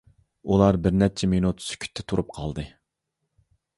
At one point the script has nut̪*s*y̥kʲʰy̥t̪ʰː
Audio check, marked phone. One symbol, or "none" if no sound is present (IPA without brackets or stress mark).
s